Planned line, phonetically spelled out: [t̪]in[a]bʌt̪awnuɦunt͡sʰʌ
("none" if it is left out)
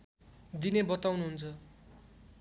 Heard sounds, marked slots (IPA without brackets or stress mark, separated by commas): d̪, e